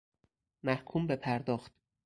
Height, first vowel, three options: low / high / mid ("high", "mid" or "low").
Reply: low